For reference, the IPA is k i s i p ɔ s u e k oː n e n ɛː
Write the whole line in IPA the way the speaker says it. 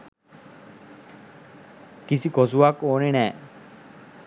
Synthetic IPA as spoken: k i s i k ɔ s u a k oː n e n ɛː

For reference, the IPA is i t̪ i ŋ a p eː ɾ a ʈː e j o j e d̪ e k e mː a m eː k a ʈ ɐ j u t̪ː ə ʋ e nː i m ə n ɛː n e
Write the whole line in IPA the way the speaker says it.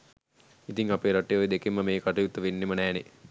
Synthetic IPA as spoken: i t̪ i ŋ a p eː ɾ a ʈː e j o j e d̪ e k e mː ə m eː k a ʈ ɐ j u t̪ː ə ʋ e nː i m ə n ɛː n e

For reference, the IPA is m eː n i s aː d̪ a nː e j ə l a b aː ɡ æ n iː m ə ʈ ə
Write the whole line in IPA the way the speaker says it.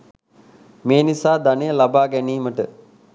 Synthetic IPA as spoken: m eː n i s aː d̪ a n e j ə l a b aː ɡ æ n iː m ə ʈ ə

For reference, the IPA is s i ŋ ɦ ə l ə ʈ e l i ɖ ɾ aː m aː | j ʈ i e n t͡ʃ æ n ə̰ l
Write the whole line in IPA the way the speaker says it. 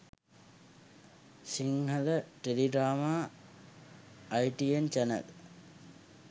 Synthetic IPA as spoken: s i ŋ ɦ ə l ə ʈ e l i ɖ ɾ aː m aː | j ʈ i e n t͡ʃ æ n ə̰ l

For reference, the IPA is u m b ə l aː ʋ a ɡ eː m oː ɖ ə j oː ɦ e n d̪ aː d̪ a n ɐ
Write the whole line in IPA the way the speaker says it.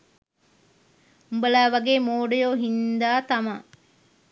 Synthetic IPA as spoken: u m b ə l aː ʋ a ɡ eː m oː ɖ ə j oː ɦ i n d̪ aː t̪ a m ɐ

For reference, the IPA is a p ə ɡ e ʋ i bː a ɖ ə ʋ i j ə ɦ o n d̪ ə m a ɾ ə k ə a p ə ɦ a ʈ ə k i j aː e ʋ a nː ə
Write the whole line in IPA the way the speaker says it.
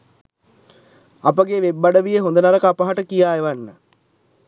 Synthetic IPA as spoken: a p ə ɡ e ʋ e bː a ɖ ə ʋ i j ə ɦ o n d̪ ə n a ɾ ə k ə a p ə ɦ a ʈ ə k i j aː e ʋ a nː ə

